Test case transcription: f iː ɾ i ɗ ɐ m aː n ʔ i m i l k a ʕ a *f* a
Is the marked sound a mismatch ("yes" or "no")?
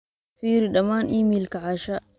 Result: yes